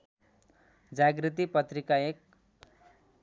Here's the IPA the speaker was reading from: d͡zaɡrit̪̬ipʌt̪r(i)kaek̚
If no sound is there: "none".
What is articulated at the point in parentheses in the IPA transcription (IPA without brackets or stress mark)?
i